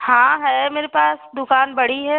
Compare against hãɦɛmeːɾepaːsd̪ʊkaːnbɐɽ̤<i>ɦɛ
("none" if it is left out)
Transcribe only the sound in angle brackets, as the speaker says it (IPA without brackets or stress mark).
i